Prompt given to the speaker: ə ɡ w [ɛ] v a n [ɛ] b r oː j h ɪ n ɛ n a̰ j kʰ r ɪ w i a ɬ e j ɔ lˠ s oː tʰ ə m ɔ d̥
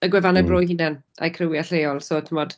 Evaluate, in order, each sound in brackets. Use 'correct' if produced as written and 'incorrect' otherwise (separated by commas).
correct, correct